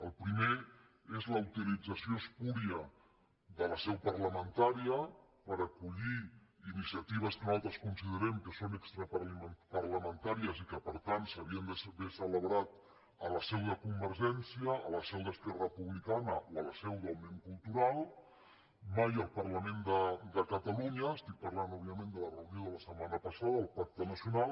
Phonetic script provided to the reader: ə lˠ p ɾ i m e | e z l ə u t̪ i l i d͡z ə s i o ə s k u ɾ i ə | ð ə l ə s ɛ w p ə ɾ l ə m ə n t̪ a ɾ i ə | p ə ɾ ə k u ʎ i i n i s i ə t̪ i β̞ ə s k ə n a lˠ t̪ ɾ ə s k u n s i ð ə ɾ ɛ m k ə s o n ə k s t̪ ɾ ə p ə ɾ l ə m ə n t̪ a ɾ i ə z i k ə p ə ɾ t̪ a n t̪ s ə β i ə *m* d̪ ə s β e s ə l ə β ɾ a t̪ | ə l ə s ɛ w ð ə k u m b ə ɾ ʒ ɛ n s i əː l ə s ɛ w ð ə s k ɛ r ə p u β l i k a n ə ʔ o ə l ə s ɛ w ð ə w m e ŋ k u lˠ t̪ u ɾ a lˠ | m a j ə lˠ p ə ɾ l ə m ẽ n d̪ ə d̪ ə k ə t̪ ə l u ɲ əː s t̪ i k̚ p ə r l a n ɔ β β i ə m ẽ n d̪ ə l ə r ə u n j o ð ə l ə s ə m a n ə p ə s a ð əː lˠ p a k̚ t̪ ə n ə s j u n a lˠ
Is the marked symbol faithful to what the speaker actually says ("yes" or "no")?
no